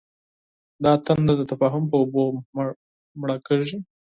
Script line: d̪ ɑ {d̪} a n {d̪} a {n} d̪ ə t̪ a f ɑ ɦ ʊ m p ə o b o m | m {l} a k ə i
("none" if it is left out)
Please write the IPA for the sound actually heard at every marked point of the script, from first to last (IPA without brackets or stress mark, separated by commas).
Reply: t̪, d̪, none, ɽ